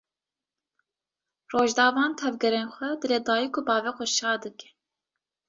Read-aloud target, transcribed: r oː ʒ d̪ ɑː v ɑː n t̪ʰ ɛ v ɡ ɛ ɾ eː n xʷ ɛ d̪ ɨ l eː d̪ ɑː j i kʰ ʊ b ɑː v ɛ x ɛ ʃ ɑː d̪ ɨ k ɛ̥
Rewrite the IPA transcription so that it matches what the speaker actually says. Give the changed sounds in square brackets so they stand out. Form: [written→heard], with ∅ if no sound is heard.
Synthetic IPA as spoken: r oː ʒ d̪ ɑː v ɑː n t̪ʰ ɛ v ɡ ɛ ɾ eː n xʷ ɛ d̪ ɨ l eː d̪ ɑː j i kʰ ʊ b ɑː v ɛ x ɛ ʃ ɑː d̪ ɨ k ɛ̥